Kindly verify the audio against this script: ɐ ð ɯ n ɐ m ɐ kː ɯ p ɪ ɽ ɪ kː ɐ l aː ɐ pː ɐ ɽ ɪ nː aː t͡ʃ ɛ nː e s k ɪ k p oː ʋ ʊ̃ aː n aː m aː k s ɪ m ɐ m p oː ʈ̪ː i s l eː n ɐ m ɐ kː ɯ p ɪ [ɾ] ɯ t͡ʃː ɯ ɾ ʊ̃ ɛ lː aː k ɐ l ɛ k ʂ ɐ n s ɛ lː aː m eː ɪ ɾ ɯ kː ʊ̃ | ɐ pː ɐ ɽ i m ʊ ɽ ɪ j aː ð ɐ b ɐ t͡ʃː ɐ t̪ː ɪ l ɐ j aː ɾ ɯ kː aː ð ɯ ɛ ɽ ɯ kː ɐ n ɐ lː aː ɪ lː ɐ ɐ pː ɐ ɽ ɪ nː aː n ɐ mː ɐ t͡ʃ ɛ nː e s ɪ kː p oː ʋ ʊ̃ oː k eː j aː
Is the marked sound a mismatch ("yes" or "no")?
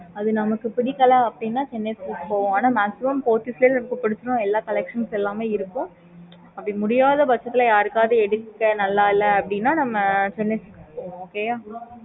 yes